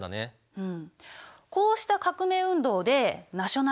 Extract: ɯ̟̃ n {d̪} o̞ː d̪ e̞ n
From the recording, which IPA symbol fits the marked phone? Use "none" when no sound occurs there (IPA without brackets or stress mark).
d̪